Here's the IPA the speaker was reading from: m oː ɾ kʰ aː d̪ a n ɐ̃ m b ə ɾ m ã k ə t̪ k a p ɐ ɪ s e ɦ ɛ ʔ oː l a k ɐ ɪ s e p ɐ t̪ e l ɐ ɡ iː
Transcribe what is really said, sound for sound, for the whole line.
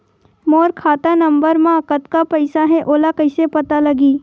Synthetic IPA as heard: m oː ɾ kʰ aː t̪ a n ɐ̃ m b ə ɾ m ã k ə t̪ k a p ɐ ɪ s a ɦ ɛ ʔ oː l a k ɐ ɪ s e p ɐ t̪ a l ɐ ɡ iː